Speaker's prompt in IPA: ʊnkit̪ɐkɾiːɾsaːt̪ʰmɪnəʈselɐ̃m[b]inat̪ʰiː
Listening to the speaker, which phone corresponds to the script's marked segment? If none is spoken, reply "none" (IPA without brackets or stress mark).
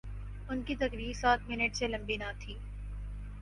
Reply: b